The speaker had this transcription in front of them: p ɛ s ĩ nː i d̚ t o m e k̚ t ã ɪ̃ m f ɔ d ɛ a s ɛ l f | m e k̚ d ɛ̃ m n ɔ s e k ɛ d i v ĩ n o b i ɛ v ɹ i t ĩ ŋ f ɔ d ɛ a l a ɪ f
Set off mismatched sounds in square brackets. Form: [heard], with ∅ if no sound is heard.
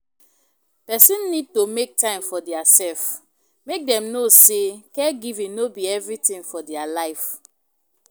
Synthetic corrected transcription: p ɛ s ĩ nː i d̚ t o m e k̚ t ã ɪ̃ m f ɔ d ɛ a s ɛ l f | m e k̚ d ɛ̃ m n [o] s e k ɛ [ɡ] i v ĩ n o b i ɛ v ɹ i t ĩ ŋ f ɔ d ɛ a l a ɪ f

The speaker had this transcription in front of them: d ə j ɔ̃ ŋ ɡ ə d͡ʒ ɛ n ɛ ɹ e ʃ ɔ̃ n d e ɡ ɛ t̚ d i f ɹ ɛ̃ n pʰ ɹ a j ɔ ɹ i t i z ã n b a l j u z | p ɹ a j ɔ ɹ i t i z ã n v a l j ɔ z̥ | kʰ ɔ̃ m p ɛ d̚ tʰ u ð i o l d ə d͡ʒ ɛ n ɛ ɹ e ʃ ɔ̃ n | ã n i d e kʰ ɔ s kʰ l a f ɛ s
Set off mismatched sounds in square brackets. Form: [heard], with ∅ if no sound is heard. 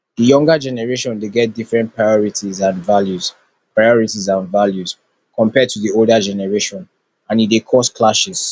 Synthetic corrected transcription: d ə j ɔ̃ ŋ ɡ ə d͡ʒ ɛ n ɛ ɹ e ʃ ɔ̃ n d e ɡ ɛ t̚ d i f ɹ ɛ̃ n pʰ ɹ a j ɔ ɹ i t i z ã n [v] a l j u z | p ɹ a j ɔ ɹ i t i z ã n v a l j [u] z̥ | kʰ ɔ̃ m p ɛ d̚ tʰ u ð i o l d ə d͡ʒ ɛ n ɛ ɹ e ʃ ɔ̃ n | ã n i d e kʰ ɔ s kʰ l a [ʃ] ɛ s

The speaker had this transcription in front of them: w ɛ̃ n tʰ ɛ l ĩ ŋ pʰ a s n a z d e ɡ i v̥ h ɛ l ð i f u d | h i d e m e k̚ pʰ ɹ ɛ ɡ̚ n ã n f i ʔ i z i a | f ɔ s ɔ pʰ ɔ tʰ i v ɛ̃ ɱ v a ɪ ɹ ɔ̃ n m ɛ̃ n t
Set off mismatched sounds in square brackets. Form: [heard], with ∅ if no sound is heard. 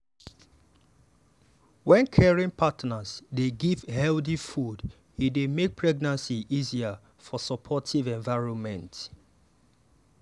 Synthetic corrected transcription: w ɛ̃ n [kʰ] ɛ [ɹ] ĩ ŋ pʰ a [t] n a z d e ɡ i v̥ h ɛ l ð i f u d | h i d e m e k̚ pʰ ɹ ɛ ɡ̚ n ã n [s] i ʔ i z i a | f ɔ s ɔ pʰ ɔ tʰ i v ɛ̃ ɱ v a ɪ ɹ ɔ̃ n m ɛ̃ n t

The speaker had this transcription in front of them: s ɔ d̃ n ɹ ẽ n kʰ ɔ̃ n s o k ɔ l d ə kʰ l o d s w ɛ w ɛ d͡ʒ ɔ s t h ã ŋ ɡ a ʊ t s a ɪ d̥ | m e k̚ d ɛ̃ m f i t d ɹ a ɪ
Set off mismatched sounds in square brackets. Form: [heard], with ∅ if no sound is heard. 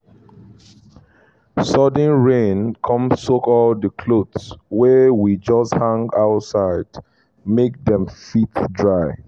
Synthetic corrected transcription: s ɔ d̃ n ɹ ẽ n kʰ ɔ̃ [m] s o k ɔ l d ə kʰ l o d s w ɛ w [i] d͡ʒ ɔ s t h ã ŋ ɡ a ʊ t s a ɪ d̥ | m e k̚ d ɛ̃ m f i t d ɹ a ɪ

